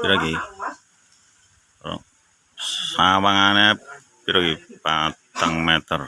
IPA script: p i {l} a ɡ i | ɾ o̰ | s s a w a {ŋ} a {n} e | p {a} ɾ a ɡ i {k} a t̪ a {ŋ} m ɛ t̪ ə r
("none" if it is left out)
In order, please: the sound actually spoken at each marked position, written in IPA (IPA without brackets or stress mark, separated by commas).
ɾ, ŋ, n, i, p, ŋ